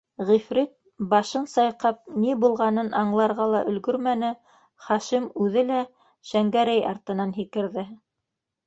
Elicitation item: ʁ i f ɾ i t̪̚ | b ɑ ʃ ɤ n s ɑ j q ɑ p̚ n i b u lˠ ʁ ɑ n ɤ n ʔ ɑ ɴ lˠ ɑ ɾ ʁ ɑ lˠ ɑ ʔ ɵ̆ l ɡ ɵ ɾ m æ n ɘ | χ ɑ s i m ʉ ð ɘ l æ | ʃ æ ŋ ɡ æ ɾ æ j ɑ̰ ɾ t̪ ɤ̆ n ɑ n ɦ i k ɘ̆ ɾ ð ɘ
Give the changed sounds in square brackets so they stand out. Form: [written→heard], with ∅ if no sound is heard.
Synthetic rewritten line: ʁ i f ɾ i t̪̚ | b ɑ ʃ ɤ n s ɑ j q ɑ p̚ n i b u lˠ ʁ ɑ n ɤ n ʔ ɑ ɴ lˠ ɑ ɾ ʁ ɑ lˠ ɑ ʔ ɵ̆ l ɡ ɵ ɾ m æ n ɘ | χ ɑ [s→ʃ] i m ʉ ð ɘ l æ | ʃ æ ŋ ɡ æ ɾ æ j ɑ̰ ɾ t̪ ɤ̆ n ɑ n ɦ i k ɘ̆ ɾ ð ɘ